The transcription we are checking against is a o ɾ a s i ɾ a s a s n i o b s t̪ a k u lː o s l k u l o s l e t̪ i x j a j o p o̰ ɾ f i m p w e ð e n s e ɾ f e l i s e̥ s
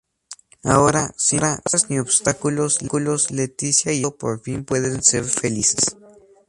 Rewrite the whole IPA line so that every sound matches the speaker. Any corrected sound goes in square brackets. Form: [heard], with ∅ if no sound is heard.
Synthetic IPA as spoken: a o ɾ a s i ɾ a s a s n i o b s t̪ a k u [l] o s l k u l o s l e t̪ i [s] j a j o p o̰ ɾ f i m p w e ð e n s e ɾ f e l i s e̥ s